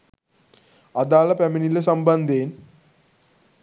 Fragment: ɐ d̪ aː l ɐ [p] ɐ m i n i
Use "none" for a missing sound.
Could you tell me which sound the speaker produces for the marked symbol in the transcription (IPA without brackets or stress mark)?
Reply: p